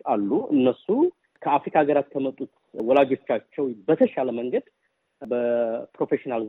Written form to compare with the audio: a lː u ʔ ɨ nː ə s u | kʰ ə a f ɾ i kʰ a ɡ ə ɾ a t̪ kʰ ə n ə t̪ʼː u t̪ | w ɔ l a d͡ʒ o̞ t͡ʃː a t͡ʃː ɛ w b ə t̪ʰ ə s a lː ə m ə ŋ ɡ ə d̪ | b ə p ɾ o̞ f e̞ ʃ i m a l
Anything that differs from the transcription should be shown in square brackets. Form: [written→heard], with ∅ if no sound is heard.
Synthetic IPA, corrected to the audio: a lː u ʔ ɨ nː ə s u | kʰ ə a f ɾ i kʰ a ɡ ə ɾ a t̪ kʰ ə [n→m] ə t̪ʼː u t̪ | w ɔ l a d͡ʒ o̞ t͡ʃː a t͡ʃː ɛ w b ə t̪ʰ ə [s→ʃ] a [lː→l] ə m ə ŋ ɡ ə d̪ | b ə p ɾ o̞ f e̞ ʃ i [m→n] a l